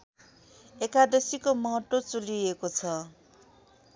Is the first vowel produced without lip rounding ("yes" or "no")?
yes